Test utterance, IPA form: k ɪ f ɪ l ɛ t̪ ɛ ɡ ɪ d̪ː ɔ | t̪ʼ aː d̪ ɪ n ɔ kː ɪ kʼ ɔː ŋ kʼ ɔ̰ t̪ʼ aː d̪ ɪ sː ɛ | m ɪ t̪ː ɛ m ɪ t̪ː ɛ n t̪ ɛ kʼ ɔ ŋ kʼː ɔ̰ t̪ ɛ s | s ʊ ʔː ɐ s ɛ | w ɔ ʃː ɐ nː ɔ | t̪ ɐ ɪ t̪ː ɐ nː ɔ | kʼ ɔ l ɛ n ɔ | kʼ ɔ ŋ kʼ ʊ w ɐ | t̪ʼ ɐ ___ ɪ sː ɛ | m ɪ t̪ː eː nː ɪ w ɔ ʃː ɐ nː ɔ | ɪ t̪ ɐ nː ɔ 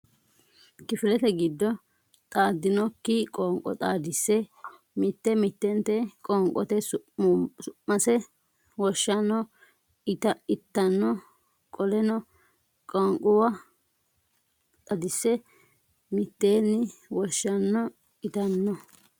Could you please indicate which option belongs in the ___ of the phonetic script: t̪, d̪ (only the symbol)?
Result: d̪